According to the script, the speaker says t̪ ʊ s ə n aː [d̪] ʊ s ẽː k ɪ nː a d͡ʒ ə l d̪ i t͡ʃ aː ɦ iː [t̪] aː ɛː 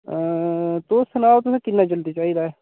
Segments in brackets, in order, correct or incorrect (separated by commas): incorrect, incorrect